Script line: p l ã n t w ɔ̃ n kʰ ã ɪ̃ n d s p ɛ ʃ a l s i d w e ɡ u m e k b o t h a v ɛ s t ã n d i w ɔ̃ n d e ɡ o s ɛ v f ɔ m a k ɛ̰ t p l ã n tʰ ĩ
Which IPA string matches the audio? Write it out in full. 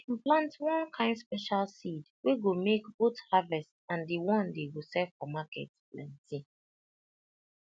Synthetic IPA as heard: p l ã n t w ɔ̃ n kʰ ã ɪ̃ n d s p ɛ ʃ a l s i d w e ɡ o m e k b o t h a v ɛ s t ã n d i w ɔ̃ n d e ɡ o s ɛ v f ɔ m a k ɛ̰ t p l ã n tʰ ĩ